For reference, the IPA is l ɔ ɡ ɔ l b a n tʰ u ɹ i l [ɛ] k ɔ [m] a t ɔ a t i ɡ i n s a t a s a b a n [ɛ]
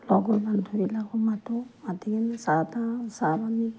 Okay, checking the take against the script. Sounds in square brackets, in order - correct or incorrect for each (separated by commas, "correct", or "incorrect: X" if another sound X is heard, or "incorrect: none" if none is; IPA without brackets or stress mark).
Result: incorrect: a, correct, incorrect: i